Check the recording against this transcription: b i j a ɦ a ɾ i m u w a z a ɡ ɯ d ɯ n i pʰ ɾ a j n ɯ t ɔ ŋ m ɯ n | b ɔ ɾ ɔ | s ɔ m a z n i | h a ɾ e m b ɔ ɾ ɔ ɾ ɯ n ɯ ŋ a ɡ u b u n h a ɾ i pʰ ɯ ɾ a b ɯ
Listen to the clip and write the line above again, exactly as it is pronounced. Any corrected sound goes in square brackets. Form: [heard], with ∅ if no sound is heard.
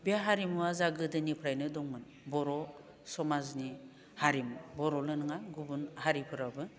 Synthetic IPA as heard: b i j a ɦ a ɾ i m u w a z a ɡ ɯ d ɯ n i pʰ ɾ a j n ɯ [d] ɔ ŋ m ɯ n | b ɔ ɾ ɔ | s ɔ m a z n i | h a ɾ [i] m b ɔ ɾ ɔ [l] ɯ n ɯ ŋ a ɡ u b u n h a ɾ i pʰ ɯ ɾ a b ɯ

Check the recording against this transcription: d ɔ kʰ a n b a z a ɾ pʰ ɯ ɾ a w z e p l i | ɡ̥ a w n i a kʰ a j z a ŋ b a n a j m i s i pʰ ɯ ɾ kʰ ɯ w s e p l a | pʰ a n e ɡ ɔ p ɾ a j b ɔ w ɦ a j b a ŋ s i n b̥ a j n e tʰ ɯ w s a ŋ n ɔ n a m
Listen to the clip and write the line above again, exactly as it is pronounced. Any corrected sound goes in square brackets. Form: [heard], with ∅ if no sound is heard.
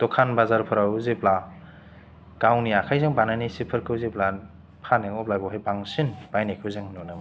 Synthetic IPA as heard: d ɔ kʰ a n b a z a ɾ pʰ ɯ ɾ a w z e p l [a] | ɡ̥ a w n i a kʰ a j z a ŋ b a n a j [n] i s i pʰ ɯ ɾ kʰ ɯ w [z] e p l a | pʰ a n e [ŋ] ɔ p [l] a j b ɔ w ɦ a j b a ŋ s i n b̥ a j n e [kʰ] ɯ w [z] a ŋ n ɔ n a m

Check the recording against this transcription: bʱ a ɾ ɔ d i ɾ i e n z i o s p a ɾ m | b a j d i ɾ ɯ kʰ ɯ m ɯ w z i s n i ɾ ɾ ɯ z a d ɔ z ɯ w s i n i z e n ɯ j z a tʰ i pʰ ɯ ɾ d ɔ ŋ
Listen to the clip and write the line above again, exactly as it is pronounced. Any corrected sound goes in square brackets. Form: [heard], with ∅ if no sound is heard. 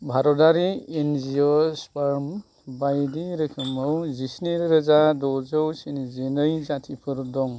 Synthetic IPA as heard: bʱ a ɾ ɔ d [a] ɾ i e n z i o s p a ɾ m | b a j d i ɾ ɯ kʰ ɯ m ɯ w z i s n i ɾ ɾ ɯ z a d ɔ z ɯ w s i n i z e n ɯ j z a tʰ i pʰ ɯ ɾ d ɔ ŋ

